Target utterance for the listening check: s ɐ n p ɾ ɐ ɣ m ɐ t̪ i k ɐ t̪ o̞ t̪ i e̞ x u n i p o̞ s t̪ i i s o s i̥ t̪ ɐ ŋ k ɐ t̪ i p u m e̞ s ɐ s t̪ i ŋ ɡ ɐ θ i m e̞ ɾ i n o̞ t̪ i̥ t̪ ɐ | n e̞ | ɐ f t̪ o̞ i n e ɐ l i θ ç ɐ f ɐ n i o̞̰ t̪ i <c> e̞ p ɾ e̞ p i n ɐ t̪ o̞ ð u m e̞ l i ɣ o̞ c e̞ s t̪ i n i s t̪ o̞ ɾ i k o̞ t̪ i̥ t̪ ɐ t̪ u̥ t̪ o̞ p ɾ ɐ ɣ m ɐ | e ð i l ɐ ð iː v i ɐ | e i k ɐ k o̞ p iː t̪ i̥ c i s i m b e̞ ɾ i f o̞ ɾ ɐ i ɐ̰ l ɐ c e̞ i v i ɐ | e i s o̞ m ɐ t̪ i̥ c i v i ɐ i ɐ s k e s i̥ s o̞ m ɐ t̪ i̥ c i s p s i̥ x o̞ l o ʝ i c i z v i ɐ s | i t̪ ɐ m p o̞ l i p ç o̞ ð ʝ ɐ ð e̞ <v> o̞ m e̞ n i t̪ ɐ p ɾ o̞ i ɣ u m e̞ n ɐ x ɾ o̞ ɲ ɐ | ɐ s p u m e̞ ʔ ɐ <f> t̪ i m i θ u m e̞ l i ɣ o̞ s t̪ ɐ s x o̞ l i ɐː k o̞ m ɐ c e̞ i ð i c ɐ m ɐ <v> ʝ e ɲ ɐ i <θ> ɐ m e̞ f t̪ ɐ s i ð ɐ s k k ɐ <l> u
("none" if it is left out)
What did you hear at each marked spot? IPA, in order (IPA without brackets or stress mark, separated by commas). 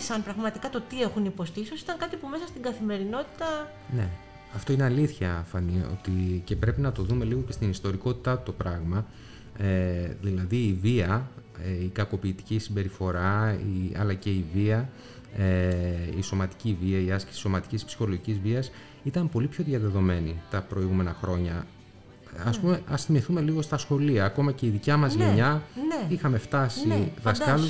c, ð, s, z, x, l